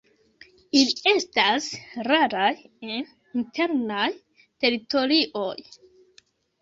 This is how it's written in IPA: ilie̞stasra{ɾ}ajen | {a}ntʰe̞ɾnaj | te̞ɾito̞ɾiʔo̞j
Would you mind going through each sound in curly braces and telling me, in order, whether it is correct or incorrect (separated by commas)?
correct, incorrect